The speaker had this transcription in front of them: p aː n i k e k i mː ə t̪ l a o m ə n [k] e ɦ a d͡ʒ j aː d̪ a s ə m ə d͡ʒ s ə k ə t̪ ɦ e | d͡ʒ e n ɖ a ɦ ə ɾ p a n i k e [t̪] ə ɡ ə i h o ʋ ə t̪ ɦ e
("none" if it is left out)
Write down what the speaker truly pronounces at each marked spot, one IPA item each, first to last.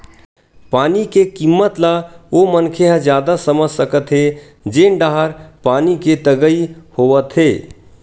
kʰ, t̪

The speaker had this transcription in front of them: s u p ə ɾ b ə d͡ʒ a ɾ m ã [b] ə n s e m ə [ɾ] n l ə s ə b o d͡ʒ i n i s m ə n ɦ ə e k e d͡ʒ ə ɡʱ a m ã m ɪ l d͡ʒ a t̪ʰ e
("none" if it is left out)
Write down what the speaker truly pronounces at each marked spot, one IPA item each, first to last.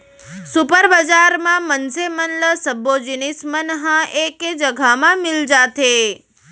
m, none

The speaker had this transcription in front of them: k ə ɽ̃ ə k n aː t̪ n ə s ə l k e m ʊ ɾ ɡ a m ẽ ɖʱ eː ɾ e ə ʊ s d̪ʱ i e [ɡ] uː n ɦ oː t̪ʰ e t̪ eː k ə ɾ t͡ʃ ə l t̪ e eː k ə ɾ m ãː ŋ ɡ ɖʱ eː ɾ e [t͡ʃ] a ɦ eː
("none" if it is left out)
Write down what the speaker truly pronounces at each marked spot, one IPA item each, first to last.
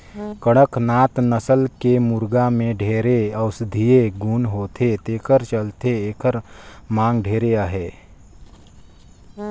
ɡ, none

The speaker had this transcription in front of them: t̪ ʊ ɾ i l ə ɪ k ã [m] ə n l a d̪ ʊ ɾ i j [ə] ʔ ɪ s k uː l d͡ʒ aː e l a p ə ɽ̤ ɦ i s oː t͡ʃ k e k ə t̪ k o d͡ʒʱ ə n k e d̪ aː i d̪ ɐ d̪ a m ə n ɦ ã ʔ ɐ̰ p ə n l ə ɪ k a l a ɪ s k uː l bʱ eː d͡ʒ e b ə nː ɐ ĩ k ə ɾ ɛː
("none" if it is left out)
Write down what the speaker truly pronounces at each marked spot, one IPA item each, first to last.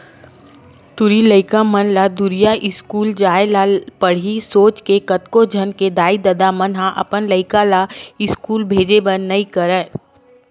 m, a

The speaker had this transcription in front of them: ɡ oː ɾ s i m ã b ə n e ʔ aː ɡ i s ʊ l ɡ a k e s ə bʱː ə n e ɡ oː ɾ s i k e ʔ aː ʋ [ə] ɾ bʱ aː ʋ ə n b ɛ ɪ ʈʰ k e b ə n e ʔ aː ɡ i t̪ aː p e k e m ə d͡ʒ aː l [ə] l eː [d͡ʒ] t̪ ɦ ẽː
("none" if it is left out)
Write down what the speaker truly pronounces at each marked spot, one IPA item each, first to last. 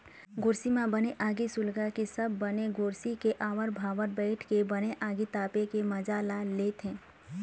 ə, a, none

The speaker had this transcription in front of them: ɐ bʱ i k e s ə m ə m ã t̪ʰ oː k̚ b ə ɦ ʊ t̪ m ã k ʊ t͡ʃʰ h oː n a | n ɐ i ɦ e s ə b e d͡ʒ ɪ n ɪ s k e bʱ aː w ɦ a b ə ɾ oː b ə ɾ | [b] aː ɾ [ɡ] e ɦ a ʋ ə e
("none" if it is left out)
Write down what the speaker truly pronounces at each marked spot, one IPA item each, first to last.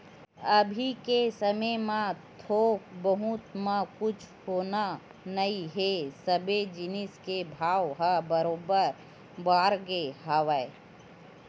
b, ɡ

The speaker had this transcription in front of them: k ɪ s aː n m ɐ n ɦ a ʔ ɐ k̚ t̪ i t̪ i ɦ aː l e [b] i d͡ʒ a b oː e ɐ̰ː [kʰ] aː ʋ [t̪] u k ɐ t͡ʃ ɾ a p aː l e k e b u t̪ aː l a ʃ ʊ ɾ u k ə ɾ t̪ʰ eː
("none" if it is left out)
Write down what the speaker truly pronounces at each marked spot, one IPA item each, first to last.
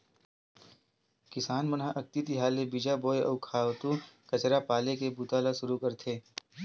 b, kʰ, t̪

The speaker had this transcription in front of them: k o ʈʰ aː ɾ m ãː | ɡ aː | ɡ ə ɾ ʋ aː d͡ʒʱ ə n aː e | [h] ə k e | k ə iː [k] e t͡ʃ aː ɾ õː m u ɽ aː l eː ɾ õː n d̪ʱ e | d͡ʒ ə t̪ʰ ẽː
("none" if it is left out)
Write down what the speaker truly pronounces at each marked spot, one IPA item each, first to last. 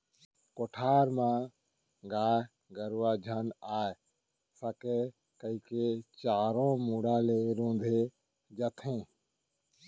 s, k

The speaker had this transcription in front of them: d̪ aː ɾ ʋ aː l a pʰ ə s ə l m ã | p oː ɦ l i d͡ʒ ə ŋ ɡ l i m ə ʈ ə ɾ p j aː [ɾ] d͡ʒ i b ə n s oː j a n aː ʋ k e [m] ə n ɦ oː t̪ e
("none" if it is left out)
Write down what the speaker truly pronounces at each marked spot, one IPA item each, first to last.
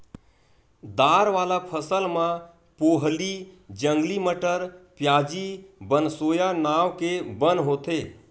none, b

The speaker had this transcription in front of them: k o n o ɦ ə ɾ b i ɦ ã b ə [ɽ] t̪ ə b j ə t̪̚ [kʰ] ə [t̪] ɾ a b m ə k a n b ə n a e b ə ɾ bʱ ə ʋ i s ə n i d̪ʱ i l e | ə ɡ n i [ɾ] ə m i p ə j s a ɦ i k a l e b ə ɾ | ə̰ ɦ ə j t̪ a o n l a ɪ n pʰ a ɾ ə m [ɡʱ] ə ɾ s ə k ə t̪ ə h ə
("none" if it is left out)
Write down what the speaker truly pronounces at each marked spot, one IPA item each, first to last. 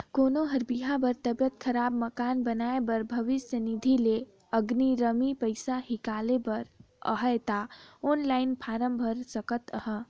ɾ, kʰ, none, ɾ, bʱ

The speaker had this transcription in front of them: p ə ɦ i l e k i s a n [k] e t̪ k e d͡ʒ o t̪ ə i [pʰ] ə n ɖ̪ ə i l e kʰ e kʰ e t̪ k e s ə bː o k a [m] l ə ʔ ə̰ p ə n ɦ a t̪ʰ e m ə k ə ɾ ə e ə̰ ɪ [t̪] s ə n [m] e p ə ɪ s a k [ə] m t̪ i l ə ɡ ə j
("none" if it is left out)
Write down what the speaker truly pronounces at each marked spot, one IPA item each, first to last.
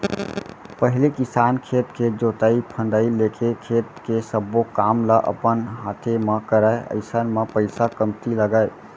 kʰ, pʰ, m, none, m, ə

